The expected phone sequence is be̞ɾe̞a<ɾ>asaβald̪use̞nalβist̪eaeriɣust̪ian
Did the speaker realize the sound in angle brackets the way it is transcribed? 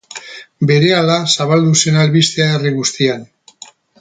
no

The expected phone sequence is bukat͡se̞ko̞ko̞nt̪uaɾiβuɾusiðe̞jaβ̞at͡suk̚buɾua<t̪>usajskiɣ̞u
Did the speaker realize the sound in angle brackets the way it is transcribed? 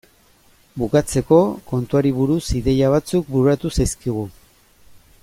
yes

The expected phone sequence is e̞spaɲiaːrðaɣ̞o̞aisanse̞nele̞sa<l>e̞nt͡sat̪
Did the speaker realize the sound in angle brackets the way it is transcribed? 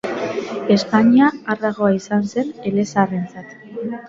no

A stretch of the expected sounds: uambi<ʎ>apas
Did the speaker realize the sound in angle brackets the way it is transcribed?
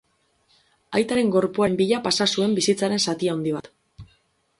yes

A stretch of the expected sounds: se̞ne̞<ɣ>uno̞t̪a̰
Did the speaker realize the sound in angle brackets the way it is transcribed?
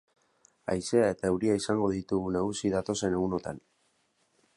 yes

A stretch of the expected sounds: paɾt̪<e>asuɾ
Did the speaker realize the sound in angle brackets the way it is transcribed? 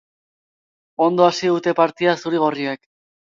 no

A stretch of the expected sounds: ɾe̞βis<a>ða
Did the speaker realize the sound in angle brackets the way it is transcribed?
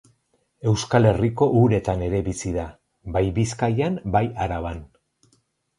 no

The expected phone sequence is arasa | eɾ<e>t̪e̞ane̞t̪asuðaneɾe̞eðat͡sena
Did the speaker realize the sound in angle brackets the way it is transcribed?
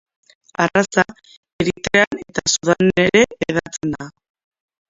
no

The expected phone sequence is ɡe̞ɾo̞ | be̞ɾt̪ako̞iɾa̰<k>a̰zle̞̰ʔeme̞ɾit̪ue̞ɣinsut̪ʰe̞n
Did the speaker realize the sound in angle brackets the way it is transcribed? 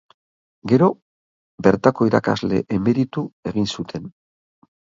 yes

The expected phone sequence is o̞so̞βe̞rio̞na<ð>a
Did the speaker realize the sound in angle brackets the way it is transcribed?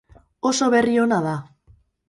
yes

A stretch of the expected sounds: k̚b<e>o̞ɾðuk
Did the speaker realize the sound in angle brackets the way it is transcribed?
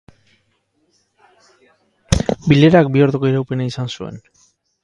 no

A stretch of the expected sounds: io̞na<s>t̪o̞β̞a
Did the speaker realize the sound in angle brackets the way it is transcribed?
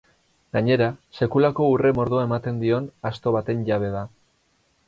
yes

